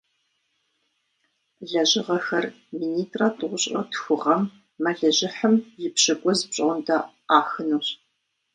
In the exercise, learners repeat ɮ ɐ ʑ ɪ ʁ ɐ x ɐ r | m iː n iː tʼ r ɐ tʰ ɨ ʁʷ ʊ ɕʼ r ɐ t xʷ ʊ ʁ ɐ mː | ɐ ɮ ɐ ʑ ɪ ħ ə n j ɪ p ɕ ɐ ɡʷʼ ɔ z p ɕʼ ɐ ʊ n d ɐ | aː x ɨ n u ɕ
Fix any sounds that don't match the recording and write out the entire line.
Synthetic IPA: ɮ ɐ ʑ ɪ ʁ ɐ x ɐ r | m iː n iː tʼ r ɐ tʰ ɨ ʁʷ ʊ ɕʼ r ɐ t xʷ ʊ ʁ ɐ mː | ɐ ɮ ɐ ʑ ɪ ħ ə m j ɪ p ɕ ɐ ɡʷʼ ɔ z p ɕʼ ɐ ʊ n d ɐ | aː x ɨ n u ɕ